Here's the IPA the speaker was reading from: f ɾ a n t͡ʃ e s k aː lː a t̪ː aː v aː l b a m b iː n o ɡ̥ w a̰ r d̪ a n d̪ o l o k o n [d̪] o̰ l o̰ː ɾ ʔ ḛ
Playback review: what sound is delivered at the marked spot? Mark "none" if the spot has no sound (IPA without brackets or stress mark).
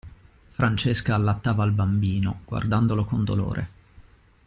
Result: d̪